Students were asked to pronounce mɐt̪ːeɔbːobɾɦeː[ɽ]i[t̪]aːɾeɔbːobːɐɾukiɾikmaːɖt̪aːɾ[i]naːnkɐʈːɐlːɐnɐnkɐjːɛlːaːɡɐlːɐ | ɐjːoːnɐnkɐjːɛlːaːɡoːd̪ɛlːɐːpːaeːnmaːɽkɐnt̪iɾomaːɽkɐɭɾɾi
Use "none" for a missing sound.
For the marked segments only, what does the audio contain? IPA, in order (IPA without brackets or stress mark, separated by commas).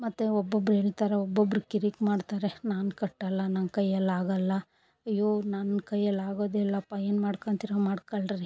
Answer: ɭ, t̪, e